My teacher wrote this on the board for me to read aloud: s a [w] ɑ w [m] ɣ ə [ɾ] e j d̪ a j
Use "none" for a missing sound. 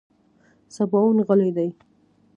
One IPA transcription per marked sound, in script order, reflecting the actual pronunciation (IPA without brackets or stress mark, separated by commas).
b, n, l